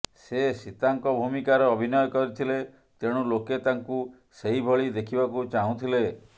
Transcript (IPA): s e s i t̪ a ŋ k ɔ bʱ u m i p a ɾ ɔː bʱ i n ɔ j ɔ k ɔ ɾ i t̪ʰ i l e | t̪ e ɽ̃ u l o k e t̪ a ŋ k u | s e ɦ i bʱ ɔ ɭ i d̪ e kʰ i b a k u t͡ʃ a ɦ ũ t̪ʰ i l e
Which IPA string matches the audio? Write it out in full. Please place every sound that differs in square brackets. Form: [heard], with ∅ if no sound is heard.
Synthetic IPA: s e s i t̪ a ŋ k ɔ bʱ u m i [k] a ɾ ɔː bʱ i n ɔ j ɔ k ɔ ɾ i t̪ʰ i l e | t̪ e ɽ̃ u l o k e t̪ a ŋ k u | s e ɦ i bʱ ɔ ɭ i d̪ e kʰ i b a k u t͡ʃ a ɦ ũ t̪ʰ i l e